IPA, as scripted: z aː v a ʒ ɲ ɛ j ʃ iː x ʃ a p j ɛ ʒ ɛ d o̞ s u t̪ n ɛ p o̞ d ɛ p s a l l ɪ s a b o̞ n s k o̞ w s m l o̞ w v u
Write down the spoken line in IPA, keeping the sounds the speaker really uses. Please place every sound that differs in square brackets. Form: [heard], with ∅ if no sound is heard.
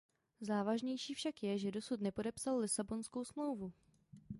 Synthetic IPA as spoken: z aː v a ʒ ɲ ɛ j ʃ iː [f] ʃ a [k] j ɛ ʒ ɛ d o̞ s u t̪ n ɛ p o̞ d ɛ p s a l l ɪ s a b o̞ n s k o̞ w s m l o̞ w v u